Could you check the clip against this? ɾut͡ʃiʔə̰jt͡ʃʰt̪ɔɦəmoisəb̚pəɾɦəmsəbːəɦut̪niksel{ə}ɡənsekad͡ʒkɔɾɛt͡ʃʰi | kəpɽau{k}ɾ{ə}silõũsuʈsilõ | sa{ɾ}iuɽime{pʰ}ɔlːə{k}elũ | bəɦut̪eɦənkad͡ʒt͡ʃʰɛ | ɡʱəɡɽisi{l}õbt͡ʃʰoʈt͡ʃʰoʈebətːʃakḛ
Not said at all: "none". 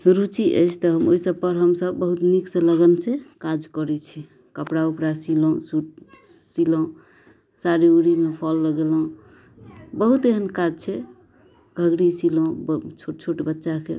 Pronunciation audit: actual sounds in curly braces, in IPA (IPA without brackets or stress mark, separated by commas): ə, p, a, ɾ, pʰ, ɡ, l